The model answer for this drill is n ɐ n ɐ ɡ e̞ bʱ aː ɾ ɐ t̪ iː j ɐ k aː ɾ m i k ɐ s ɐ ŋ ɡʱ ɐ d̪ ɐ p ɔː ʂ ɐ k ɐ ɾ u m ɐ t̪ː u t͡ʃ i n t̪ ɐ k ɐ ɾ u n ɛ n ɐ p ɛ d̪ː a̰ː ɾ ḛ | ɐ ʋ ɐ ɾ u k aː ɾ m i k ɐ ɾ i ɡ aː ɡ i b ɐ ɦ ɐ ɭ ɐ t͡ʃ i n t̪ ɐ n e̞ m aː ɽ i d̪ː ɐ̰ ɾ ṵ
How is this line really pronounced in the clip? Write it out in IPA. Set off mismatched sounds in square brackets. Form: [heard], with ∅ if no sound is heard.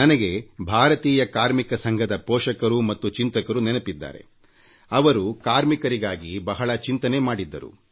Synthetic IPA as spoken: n ɐ n ɐ ɡ e̞ bʱ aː ɾ ɐ t̪ iː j ɐ k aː ɾ m i k ɐ s ɐ ŋ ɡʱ ɐ d̪ ɐ p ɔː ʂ ɐ k ɐ ɾ u m ɐ t̪ː u t͡ʃ i n t̪ ɐ k ɐ ɾ u n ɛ n ɐ p [i] d̪ː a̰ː ɾ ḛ | ɐ ʋ ɐ ɾ u k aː ɾ m i k ɐ ɾ i ɡ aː ɡ i b ɐ ɦ ɐ ɭ ɐ t͡ʃ i n t̪ ɐ n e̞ m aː ɽ i d̪ː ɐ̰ ɾ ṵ